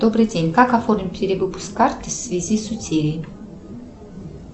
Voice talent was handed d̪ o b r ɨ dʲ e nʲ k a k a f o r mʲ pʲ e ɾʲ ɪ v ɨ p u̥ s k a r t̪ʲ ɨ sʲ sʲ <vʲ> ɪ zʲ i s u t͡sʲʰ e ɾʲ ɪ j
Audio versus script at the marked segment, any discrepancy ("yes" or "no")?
no